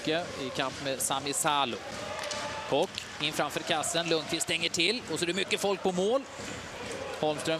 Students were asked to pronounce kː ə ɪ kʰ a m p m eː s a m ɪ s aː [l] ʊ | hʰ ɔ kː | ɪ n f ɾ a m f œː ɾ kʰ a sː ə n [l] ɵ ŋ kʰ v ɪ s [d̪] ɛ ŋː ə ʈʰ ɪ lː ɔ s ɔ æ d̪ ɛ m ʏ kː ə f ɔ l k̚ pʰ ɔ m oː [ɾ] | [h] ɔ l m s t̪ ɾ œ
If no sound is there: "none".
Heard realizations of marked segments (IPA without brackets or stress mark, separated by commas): l, l, t̪, l, h